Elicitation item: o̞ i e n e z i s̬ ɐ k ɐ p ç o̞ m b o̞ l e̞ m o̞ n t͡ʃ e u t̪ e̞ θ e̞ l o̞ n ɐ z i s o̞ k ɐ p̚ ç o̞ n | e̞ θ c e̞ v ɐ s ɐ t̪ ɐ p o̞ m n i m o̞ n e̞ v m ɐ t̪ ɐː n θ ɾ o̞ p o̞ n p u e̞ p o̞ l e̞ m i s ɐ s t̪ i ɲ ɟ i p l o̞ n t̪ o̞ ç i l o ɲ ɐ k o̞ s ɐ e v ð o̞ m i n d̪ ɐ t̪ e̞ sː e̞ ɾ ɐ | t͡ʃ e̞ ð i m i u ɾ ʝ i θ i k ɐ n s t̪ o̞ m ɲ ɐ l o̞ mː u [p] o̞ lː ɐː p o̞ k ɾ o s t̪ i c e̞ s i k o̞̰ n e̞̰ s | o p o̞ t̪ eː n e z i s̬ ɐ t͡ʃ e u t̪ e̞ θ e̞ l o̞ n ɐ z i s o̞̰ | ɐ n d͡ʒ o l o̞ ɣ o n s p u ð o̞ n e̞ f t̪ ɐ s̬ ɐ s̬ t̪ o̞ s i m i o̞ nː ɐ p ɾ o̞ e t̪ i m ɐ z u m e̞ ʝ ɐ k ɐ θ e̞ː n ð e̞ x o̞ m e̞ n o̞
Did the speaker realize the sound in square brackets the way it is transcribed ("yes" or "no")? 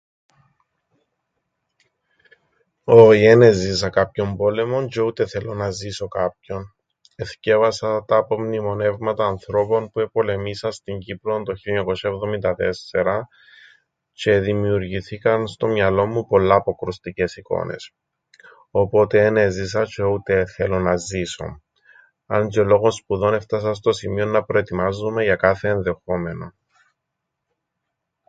yes